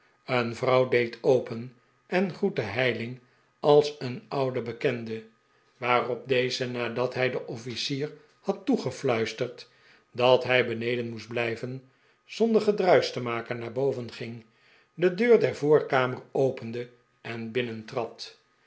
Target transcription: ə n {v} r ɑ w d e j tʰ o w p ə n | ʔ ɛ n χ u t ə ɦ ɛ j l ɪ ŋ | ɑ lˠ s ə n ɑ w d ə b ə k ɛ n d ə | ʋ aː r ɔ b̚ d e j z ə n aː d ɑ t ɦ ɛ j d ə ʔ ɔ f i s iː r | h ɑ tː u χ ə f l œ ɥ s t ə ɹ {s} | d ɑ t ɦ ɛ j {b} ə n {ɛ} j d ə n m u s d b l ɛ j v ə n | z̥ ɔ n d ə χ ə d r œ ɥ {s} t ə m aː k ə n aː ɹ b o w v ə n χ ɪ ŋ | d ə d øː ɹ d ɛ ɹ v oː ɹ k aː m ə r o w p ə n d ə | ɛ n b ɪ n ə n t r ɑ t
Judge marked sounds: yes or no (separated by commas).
yes, no, yes, no, yes